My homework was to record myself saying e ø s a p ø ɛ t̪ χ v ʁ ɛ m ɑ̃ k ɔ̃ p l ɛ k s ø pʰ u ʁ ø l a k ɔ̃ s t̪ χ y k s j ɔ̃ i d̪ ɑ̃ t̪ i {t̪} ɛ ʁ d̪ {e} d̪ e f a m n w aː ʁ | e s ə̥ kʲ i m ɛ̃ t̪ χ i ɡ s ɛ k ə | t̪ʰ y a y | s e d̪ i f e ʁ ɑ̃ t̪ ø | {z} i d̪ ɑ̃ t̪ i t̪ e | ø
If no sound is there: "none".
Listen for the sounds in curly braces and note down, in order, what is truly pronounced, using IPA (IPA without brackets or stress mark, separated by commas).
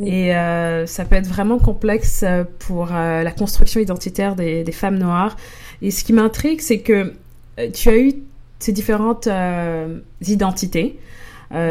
t̪, e, z